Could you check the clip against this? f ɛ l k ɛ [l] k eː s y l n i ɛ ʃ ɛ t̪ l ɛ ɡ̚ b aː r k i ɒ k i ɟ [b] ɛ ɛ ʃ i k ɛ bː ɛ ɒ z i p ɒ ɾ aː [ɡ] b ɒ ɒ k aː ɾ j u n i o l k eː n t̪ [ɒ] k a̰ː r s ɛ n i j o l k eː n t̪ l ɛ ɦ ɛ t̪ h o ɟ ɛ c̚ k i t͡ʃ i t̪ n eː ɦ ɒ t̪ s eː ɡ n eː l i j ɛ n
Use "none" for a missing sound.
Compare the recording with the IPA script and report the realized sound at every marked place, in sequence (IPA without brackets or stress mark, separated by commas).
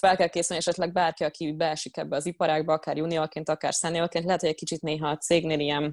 l, b, ɡ, ɒ